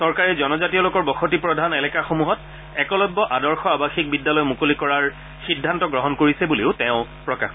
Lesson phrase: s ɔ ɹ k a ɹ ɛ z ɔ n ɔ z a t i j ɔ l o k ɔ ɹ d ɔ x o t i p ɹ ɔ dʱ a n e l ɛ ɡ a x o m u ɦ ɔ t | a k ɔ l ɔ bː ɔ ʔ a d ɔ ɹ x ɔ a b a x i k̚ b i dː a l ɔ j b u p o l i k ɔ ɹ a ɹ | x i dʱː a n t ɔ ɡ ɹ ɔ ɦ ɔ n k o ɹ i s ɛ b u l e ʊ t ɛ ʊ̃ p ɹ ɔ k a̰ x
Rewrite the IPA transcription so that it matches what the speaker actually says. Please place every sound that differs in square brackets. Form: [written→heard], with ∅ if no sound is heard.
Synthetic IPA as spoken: s ɔ ɹ k a ɹ ɛ z ɔ n ɔ z a t i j ɔ l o k ɔ ɹ [d→b] ɔ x o t i p ɹ ɔ dʱ a n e l ɛ [ɡ→k] a x o m u ɦ ɔ t | [a→ɛ] k ɔ l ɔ bː ɔ ʔ a d ɔ ɹ x ɔ a b a x i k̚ b i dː a l ɔ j [b→m] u [p→k] o l i k ɔ ɹ a ɹ | x i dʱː a n t ɔ ɡ ɹ ɔ ɦ ɔ n k o ɹ i s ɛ b u l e ʊ t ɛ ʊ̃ p ɹ ɔ k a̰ x

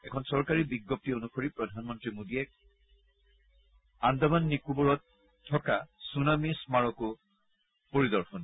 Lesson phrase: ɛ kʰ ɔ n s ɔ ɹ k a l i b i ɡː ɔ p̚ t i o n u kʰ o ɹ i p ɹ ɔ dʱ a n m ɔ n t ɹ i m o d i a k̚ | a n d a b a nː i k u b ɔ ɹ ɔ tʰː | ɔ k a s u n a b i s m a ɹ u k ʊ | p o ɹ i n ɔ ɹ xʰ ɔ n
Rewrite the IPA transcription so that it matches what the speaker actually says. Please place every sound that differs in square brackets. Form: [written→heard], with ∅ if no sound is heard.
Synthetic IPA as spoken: ɛ kʰ ɔ n s ɔ ɹ k a [l→ɹ] i b i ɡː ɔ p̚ t i o n u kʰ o ɹ i p ɹ ɔ dʱ a n m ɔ n t ɹ i m o d i [a→ɛ] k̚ | a n d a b a nː i k u b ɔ ɹ ɔ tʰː | ɔ k a s u n a [b→m] i s m a ɹ [u→ɔ] k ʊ | p o ɹ i [n→d] ɔ ɹ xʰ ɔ n

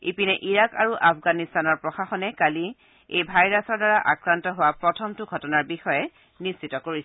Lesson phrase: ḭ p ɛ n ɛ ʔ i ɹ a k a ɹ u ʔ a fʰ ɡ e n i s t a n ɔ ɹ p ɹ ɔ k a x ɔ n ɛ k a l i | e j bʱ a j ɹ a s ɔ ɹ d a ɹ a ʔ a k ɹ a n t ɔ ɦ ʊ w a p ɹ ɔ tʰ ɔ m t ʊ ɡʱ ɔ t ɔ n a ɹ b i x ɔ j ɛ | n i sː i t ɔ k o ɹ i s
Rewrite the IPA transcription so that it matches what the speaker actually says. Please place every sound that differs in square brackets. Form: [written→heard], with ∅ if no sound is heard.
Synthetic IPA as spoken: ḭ p [ɛ→i] n ɛ ʔ i ɹ a k a ɹ u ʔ a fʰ ɡ [e→a] n i s t a n ɔ ɹ p ɹ ɔ [k→x] a x ɔ n ɛ k a l i | e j bʱ a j ɹ a s ɔ ɹ d a ɹ a ʔ a k ɹ a n t ɔ ɦ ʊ w a p ɹ ɔ tʰ ɔ m t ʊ ɡʱ ɔ t ɔ n a ɹ b i x ɔ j ɛ | n i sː i t ɔ k o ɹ i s

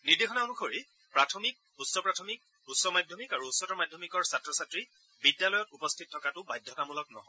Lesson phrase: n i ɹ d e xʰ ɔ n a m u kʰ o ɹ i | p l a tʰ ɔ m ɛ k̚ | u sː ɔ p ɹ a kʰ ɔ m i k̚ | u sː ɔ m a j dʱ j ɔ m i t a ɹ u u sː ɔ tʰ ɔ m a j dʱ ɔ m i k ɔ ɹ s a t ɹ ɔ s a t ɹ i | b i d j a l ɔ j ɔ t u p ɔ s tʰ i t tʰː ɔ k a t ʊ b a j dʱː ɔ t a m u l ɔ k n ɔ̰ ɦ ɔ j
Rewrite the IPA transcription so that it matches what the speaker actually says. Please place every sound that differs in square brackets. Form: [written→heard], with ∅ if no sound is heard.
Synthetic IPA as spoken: n i ɹ d e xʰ ɔ n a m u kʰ o ɹ i | p [l→ɹ] a tʰ ɔ m [ɛ→i] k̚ | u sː ɔ p ɹ a [kʰ→tʰ] ɔ m i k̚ | u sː ɔ m a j dʱ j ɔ m i [t→k] a ɹ u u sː ɔ [tʰ→t] ɔ m a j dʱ ɔ m i k ɔ ɹ s a t ɹ ɔ s a t ɹ i | b i d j a l ɔ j ɔ t u p ɔ s tʰ i t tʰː ɔ k a t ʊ b a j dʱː ɔ t a m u l ɔ k n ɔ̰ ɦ ɔ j

